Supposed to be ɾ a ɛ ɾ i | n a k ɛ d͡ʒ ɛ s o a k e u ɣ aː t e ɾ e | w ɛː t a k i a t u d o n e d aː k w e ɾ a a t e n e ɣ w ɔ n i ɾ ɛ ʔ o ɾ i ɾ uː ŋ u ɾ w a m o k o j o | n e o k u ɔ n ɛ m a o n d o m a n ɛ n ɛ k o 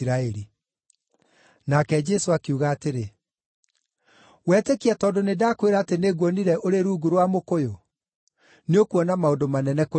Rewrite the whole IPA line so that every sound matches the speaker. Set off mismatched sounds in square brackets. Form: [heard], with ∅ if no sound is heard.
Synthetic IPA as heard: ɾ a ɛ ɾ i | n a k ɛ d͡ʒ ɛ s o a k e u ɣ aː t e ɾ e | w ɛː t [e] k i a t [ɔ] d o n e d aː k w e ɾ a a t e n e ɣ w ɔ n i ɾ ɛ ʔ o ɾ [e] ɾ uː [ɡ] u ɾ w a m o k o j o | n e o k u ɔ n [a] m a o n d o m a n ɛ n ɛ k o